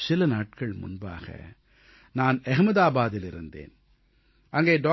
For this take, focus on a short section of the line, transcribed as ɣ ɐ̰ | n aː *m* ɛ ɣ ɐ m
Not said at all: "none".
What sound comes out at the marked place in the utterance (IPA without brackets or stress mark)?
n